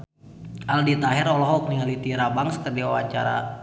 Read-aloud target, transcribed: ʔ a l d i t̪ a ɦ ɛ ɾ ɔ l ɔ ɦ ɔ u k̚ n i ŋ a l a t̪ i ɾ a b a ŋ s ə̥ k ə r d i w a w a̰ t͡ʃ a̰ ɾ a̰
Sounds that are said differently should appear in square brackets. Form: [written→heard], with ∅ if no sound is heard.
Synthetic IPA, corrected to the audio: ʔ a l d i t̪ a ɦ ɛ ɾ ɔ l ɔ ɦ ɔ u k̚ n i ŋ a l [a→i] t̪ i ɾ a b a ŋ s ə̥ k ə r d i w a w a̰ t͡ʃ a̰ ɾ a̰